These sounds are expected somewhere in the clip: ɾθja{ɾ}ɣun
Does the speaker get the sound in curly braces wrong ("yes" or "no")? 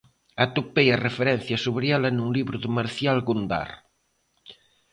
yes